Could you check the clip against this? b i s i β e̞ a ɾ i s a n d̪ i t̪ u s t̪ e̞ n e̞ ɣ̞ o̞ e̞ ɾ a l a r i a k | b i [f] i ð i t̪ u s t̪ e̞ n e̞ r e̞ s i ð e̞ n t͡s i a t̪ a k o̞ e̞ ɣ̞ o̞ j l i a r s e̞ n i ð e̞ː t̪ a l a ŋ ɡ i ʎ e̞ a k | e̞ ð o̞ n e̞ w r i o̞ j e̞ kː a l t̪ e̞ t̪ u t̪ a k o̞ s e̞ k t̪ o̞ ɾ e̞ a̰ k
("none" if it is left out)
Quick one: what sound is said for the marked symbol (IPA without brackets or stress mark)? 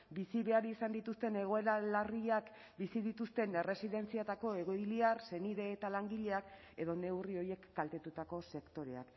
s